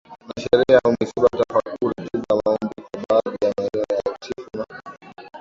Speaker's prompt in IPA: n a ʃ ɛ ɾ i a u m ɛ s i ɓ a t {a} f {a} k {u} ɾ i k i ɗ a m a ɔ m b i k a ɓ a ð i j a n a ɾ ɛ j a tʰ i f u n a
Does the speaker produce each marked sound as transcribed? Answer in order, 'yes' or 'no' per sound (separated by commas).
yes, yes, yes